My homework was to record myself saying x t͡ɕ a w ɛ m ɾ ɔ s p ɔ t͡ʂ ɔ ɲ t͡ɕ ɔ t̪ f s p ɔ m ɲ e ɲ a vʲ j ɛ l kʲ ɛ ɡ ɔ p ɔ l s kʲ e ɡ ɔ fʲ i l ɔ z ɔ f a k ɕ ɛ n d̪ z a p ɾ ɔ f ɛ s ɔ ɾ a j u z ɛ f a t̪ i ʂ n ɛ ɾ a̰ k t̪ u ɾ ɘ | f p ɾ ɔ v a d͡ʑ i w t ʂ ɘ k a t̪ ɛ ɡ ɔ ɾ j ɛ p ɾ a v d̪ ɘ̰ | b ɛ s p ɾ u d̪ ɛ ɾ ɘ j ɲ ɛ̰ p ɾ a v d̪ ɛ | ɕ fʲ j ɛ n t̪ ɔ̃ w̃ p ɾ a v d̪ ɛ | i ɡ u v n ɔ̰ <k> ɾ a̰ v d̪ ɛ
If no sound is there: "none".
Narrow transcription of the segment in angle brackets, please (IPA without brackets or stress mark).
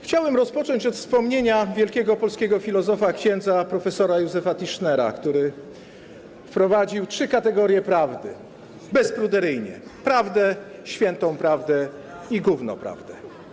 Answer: p